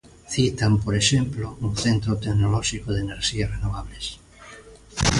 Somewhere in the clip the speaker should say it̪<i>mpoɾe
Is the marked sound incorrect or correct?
incorrect